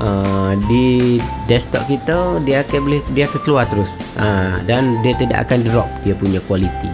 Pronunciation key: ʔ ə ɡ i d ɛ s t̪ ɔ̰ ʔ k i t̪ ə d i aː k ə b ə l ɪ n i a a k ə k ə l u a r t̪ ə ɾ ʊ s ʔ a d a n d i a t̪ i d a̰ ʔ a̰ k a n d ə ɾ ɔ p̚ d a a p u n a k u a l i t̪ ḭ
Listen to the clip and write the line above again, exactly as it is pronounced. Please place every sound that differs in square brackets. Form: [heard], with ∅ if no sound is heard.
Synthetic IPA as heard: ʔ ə [d] i d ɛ s t̪ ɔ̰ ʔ k i t̪ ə d i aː k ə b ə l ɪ [d] i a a k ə k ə l u a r t̪ ə ɾ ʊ s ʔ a d a n d i a t̪ i d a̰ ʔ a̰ k a n d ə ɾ ɔ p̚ d [i] a p u [ɲ] a k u a l i t̪ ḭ